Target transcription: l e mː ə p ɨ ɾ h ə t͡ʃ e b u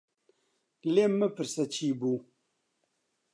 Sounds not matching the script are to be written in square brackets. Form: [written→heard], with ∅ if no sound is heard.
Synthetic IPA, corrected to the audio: l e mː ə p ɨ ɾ [h→s] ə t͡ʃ [e→i] b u